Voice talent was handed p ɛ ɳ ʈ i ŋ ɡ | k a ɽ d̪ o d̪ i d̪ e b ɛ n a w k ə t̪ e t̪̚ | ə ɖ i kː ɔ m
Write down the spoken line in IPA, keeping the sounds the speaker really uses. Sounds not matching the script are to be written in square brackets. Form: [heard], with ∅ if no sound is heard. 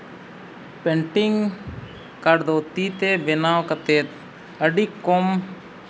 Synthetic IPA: p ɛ ɳ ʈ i ŋ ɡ | k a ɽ d̪ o [t̪] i [t̪] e b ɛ n a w k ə t̪ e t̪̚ | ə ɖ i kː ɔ m